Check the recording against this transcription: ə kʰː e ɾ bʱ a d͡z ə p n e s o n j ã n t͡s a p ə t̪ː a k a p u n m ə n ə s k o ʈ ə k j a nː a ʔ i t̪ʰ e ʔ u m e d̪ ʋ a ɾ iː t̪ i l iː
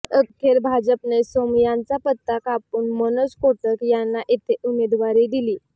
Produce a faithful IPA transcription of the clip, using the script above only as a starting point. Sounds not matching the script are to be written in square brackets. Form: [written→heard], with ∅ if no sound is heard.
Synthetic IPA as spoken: ə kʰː e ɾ bʱ a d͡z ə p n e s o [n→m] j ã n t͡s a p ə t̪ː a k a p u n m ə n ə s k o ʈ ə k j a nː a ʔ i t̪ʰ e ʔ u m e d̪ ʋ a ɾ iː [t̪→d̪] i l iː

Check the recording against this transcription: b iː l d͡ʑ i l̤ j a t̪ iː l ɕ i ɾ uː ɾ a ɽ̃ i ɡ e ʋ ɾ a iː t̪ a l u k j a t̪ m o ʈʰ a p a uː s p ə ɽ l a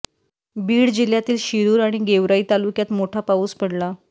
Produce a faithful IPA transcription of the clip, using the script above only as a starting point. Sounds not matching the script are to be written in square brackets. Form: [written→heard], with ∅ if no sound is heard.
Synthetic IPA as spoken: b iː [l→ɽ] d͡ʑ i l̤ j a t̪ iː l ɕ i ɾ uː ɾ a ɽ̃ i ɡ e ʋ ɾ a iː t̪ a l u k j a t̪ m o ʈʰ a p a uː s p ə ɽ l a

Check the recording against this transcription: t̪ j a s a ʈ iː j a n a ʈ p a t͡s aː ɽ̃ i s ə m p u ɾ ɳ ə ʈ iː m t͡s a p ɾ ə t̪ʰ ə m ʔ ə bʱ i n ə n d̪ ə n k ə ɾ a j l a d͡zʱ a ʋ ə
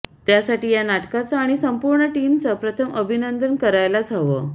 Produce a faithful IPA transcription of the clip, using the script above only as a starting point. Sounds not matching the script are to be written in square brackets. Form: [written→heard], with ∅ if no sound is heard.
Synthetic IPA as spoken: t̪ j a s a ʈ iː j a n a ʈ [p→k] a t͡s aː ɽ̃ i s ə m p u ɾ ɳ ə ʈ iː m t͡s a p ɾ ə t̪ʰ ə m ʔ ə bʱ i n ə n d̪ ə n k ə ɾ a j l a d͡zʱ a ʋ ə

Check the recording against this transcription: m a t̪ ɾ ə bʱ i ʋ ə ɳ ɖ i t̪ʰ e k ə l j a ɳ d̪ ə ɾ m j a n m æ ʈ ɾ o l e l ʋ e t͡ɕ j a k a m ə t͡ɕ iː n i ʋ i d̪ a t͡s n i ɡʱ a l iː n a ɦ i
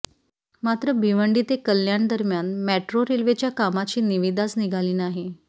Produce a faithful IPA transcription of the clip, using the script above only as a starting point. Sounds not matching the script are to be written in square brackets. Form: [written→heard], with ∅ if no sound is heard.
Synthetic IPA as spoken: m a t̪ ɾ ə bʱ i ʋ ə ɳ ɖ i [t̪ʰ→t̪] e k ə l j a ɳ d̪ ə ɾ m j a n m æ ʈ ɾ o [l→ɾ] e l ʋ e t͡ɕ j a k a m [ə→a] t͡ɕ iː n i ʋ i d̪ a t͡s n i ɡʱ a l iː n a ɦ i

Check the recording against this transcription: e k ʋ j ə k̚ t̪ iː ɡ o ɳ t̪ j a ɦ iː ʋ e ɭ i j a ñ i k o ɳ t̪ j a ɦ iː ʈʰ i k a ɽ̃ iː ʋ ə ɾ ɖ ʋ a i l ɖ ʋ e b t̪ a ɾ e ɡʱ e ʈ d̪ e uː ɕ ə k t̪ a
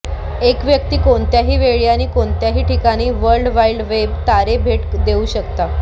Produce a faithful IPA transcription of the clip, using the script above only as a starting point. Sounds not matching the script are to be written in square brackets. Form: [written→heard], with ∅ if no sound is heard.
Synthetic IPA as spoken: e k ʋ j ə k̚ t̪ iː [ɡ→k] o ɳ t̪ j a ɦ iː ʋ e ɭ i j a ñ [i→iː] k o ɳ t̪ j a ɦ iː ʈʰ i k a ɽ̃ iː ʋ ə ɾ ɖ ʋ a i l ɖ ʋ e b t̪ a ɾ e [ɡʱ→bʱ] e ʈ d̪ e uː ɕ ə k t̪ a

